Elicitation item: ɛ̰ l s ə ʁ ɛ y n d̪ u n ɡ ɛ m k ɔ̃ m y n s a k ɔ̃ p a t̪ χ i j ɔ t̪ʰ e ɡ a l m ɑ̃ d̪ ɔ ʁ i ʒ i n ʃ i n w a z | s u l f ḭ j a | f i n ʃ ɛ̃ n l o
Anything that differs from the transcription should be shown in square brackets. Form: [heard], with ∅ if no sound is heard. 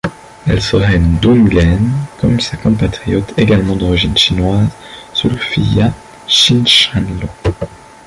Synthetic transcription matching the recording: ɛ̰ l s ə ʁ ɛ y n d̪ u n ɡ ɛ [n] k [ɔ] m y n s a k ɔ̃ p a t̪ χ i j ɔ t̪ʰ e ɡ a l m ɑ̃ d̪ ɔ ʁ i ʒ i n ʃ i n w a z | s u l f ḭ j a | [ʃ] i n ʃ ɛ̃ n l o